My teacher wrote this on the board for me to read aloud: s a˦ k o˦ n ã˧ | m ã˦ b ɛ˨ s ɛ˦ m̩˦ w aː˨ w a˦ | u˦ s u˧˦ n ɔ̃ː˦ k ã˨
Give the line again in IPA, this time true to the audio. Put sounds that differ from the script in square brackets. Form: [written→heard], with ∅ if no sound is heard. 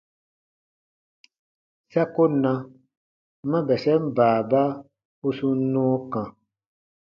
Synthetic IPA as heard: s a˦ k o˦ n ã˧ | m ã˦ b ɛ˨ s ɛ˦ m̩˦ [w→b] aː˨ [w→b] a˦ | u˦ s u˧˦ n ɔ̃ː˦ k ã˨